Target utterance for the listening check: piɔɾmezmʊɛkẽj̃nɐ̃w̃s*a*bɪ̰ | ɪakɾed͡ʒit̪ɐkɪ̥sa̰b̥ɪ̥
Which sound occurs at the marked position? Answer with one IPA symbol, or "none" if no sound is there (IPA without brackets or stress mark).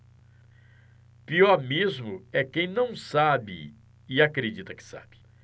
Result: a